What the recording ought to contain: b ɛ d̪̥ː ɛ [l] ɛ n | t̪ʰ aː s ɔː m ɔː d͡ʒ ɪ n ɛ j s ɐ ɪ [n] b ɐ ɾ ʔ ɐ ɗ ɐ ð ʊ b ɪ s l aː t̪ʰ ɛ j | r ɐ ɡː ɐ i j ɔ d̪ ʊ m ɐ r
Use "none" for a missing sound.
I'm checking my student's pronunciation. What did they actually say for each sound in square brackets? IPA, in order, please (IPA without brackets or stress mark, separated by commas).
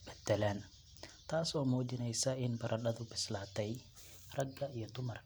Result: l, n